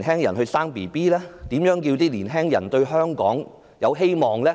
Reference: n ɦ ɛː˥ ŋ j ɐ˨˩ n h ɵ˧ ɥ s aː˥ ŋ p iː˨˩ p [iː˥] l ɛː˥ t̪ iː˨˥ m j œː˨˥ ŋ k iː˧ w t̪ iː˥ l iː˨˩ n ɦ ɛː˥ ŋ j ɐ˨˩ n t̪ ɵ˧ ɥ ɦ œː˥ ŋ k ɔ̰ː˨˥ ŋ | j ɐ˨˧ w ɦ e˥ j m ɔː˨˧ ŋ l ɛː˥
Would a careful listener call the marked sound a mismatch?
no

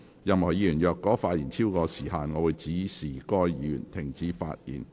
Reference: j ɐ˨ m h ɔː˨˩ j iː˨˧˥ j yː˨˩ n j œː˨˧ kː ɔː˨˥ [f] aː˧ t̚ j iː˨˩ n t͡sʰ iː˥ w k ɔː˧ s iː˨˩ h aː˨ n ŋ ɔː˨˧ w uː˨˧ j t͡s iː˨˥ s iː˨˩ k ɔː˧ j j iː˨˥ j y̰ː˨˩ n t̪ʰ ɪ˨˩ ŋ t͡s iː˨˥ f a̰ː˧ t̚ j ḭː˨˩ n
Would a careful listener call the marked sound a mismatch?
no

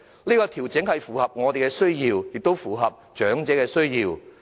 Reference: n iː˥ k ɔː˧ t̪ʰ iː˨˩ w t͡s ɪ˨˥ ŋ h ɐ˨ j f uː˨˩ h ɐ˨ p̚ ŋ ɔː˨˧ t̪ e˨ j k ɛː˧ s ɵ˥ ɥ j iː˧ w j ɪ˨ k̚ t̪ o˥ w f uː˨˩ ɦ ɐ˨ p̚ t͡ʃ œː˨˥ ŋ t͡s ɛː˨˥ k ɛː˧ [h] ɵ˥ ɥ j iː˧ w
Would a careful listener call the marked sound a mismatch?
yes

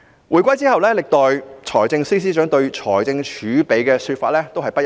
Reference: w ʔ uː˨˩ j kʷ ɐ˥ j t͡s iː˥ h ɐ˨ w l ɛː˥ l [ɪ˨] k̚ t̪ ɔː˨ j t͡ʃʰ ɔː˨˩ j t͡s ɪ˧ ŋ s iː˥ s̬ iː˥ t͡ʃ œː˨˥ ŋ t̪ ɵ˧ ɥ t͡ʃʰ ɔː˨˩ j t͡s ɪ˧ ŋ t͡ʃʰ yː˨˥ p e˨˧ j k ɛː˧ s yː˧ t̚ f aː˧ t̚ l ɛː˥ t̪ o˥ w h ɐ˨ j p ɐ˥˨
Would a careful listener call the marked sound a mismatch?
no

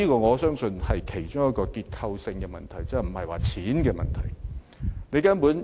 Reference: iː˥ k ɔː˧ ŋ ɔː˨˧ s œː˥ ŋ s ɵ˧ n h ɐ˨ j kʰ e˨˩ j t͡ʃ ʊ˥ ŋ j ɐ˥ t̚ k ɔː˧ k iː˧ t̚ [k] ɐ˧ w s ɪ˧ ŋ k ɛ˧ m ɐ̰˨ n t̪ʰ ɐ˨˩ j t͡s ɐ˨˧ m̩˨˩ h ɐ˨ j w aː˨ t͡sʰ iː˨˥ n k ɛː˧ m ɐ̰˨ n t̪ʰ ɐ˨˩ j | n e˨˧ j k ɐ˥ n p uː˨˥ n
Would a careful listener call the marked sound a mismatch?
yes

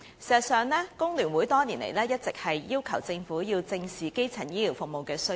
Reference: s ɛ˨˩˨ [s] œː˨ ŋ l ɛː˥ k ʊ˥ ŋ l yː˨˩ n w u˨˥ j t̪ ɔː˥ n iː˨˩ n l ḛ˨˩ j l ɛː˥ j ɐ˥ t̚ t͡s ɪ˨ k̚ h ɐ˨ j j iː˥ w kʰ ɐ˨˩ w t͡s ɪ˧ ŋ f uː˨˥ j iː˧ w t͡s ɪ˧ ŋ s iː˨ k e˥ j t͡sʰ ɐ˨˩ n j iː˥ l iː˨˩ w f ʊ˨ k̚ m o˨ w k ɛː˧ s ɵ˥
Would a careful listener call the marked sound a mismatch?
no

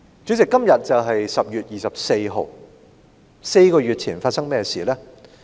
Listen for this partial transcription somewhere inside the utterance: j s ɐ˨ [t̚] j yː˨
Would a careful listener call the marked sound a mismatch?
yes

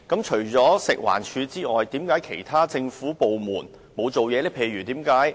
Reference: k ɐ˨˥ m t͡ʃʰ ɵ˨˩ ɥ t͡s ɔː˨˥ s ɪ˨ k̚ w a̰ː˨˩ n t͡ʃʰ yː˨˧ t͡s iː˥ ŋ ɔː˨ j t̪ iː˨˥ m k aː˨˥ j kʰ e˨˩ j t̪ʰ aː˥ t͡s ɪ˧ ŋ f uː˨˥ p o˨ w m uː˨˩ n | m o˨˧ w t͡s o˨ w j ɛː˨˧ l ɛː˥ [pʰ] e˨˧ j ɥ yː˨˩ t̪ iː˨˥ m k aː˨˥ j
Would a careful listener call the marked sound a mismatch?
no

